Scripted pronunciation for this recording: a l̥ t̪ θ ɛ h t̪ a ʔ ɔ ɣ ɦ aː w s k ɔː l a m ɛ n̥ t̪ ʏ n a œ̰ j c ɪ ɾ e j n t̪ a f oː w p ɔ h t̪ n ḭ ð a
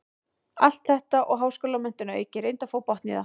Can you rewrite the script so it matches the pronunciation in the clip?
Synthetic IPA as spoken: a l̥ t̪ θ ɛ h t̪ a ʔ ɔ ɣ ɦ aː w s k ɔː l a m ɛ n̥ t̪ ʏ n a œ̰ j c ɪ ɾ e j n t̪ a f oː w p ɔ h t̪ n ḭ ð a